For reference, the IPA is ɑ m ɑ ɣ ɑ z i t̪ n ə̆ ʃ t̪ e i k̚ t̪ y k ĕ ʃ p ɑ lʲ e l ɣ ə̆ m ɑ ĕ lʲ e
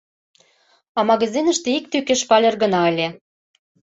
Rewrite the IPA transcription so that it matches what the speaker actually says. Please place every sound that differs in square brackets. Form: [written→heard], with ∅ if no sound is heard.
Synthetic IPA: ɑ m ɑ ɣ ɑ z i [t̪→∅] n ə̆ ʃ t̪ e i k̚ t̪ y k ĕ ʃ p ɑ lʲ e [l→r] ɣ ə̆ [m→n] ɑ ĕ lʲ e

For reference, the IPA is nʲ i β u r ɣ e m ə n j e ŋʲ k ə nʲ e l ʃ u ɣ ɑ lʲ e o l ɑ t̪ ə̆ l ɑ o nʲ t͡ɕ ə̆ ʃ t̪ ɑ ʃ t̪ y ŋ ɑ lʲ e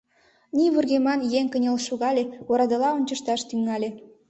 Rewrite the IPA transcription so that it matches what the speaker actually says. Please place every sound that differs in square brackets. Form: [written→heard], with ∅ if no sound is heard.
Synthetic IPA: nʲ i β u r ɣ e m [ə→ɑ] n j e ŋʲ k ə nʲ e l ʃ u ɣ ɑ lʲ e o [l→ɾ] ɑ [t̪→d̪] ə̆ l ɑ o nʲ t͡ɕ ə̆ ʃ t̪ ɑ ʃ t̪ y ŋ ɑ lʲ e

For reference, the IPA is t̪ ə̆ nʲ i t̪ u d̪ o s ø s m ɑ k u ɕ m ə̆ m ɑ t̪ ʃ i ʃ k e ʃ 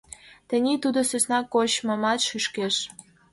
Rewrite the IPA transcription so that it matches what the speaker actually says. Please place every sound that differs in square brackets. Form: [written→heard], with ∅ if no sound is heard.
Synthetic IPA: t̪ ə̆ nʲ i t̪ u d̪ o s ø s [m→n] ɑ k [u→o] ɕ m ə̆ m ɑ t̪ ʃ [i→y] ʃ k e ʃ

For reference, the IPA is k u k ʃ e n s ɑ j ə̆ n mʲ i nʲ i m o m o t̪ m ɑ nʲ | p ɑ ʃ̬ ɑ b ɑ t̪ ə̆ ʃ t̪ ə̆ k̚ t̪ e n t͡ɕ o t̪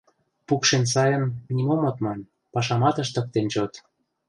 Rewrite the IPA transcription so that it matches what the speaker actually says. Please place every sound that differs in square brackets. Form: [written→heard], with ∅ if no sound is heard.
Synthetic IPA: [k→p] u k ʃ e n s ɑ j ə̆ n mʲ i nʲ i m o m o t̪ m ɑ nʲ | p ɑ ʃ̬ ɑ [b→m] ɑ t̪ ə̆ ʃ t̪ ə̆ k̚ t̪ e n t͡ɕ o t̪

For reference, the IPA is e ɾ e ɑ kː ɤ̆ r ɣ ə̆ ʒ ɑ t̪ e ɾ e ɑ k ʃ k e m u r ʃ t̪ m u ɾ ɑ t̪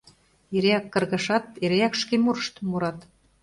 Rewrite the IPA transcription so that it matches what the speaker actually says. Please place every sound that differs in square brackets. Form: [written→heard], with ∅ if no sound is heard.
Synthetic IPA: e ɾ e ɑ kː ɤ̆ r ɣ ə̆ [ʒ→ʃ] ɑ t̪ e ɾ e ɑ k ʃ k e m u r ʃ t̪ m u ɾ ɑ t̪

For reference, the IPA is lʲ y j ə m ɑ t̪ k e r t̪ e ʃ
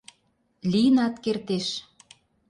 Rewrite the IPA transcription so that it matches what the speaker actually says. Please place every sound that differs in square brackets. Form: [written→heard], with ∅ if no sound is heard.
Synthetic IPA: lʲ [y→i] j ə [m→n] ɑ t̪ k e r t̪ e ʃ

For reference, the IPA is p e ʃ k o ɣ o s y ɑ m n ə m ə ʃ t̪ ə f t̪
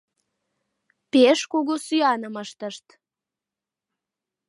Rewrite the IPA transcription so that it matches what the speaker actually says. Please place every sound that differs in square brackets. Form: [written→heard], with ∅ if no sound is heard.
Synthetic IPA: p e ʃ k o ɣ o s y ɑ [m→∅] n ə m ə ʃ t̪ ə [f→ʃ] t̪

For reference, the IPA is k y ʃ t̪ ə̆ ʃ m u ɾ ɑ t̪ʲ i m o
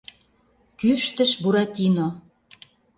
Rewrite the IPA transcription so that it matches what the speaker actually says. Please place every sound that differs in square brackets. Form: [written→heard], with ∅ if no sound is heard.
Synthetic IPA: k y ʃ t̪ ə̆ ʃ [m→b] u ɾ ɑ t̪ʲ i [m→n] o

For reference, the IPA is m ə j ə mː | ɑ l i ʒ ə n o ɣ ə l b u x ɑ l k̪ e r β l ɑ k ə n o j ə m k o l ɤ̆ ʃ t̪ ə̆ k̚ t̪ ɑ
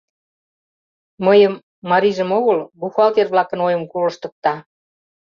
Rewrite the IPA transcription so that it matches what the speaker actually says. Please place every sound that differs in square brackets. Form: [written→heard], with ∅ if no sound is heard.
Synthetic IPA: m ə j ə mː | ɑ [l→ɾ] i ʒ ə [n→m] o ɣ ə l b u x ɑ l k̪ e r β l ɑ k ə n o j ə m k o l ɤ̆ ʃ t̪ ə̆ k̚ t̪ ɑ

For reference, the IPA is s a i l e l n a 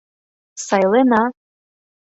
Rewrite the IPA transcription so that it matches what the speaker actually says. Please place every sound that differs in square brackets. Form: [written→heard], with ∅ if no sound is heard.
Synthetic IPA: s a [i→j] l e [l→∅] n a

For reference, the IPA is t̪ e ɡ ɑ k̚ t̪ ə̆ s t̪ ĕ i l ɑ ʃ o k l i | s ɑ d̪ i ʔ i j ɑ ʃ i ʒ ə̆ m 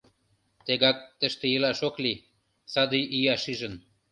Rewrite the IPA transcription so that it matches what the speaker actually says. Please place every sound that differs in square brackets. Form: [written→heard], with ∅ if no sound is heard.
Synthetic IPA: t̪ e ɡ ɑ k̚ t̪ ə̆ [s→ʃ] t̪ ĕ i l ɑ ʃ o k l i | s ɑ d̪ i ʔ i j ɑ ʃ i ʒ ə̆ [m→n]

